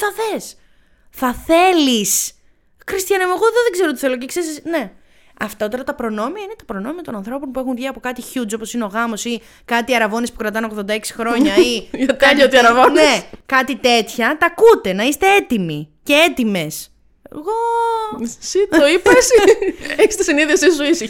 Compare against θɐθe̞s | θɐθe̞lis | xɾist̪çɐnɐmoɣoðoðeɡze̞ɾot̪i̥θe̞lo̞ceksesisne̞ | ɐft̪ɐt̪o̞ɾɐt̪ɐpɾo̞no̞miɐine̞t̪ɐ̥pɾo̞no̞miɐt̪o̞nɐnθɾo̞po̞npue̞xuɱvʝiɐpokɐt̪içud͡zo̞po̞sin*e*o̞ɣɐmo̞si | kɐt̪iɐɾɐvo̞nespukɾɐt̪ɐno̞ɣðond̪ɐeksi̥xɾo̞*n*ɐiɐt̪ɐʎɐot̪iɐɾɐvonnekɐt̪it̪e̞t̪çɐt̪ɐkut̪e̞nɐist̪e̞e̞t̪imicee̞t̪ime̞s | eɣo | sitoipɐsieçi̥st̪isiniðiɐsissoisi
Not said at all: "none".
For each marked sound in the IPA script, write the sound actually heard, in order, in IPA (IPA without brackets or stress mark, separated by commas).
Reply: e, ɲ